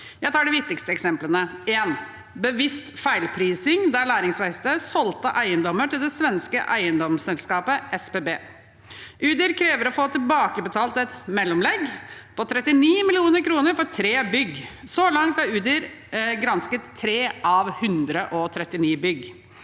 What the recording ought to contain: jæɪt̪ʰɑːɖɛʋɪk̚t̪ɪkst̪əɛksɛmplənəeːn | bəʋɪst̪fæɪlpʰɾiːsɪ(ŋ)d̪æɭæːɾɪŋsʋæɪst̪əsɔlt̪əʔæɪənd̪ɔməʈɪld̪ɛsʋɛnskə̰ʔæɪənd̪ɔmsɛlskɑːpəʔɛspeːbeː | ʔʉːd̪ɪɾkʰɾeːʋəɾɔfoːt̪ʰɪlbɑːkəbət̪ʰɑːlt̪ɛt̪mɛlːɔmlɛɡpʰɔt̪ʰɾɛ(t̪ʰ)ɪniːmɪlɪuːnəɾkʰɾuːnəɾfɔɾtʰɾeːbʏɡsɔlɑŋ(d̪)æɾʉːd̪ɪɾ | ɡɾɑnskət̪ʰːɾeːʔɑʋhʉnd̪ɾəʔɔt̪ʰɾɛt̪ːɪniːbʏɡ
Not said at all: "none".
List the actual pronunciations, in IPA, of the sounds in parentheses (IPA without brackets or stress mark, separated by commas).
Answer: ŋ, t̪, t̪